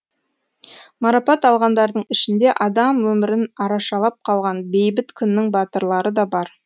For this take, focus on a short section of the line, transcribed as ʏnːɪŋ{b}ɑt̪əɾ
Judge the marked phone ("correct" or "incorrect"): correct